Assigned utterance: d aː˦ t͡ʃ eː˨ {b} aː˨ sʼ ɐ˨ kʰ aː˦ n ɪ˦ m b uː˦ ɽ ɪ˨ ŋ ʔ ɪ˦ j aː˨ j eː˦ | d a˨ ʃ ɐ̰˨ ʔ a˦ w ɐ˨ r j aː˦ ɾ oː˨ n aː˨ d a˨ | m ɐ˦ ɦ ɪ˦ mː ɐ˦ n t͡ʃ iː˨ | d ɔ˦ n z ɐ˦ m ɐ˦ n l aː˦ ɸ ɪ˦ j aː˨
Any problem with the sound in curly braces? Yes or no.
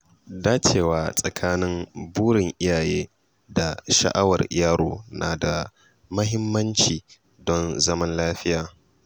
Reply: yes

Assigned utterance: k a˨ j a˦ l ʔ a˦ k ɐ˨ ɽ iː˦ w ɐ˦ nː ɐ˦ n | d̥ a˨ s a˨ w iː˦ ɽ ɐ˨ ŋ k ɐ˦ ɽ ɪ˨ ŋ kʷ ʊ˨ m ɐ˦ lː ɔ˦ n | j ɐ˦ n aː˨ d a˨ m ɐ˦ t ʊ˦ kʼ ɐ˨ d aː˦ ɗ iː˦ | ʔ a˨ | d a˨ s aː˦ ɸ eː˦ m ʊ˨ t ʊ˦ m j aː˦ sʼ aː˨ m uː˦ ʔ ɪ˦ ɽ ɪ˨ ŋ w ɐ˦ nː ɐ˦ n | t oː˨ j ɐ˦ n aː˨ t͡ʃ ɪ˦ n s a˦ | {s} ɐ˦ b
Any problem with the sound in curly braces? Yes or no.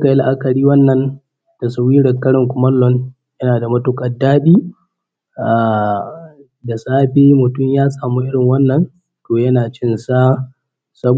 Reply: no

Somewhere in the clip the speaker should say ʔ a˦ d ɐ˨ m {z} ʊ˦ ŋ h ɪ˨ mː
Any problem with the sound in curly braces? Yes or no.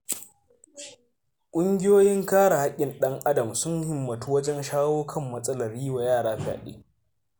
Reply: yes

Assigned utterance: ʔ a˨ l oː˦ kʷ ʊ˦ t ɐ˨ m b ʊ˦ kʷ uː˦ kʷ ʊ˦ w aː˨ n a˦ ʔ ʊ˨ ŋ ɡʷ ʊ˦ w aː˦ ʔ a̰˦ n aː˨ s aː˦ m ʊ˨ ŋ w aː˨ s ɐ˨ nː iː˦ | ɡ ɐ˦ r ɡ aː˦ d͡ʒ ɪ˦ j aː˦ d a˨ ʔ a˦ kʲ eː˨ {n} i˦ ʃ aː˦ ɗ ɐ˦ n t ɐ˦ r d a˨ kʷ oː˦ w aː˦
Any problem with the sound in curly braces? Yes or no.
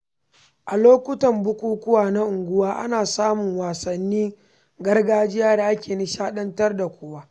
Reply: no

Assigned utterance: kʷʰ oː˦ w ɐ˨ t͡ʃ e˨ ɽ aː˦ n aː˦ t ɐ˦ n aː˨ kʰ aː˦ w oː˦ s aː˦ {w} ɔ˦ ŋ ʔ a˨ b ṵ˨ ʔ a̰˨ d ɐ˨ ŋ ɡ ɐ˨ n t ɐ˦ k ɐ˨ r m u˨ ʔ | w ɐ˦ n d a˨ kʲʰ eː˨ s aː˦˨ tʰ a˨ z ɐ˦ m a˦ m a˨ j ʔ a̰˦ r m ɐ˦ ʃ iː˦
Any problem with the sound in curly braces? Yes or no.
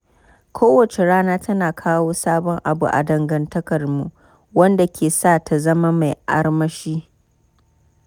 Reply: yes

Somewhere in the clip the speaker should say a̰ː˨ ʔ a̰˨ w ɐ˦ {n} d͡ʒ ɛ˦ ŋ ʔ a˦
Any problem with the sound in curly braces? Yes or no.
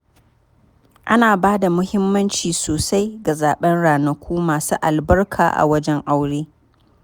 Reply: yes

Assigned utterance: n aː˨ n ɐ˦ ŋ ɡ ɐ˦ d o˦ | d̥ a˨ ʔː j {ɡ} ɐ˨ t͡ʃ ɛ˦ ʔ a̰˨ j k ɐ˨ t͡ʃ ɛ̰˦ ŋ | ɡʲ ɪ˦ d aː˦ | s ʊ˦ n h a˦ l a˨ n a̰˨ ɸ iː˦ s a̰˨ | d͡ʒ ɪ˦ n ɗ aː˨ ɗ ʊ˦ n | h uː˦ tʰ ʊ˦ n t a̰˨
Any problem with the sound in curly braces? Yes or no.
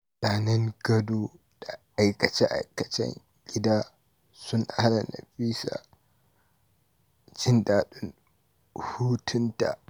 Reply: yes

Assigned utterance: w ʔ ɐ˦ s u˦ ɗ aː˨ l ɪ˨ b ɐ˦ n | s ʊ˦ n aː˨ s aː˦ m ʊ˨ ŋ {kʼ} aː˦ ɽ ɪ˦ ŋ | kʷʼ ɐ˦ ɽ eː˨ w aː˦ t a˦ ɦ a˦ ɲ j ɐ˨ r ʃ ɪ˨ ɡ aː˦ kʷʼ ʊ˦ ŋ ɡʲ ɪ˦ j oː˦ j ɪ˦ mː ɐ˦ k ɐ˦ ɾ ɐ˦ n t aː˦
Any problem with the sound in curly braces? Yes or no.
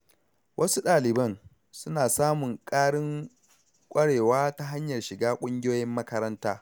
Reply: no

